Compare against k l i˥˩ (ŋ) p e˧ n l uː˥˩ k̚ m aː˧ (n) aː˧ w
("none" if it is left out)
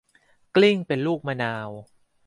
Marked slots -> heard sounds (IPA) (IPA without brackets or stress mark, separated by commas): ŋ, n